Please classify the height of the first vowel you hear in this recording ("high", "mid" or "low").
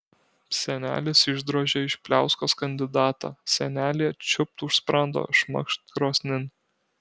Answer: mid